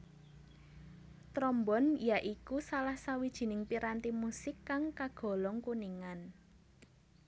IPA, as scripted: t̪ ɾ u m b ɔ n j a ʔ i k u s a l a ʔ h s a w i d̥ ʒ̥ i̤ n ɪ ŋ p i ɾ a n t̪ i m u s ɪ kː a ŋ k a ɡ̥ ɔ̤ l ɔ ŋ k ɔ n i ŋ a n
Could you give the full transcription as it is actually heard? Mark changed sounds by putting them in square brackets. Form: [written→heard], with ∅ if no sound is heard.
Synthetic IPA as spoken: t̪ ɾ [u→ɔ] m b ɔ n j a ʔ i k u s a l a [ʔ→∅] h s a w i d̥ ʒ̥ i̤ n ɪ ŋ p i ɾ a n t̪ i m u s ɪ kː a ŋ k a ɡ̥ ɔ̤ l ɔ ŋ k [ɔ→u] n i ŋ a n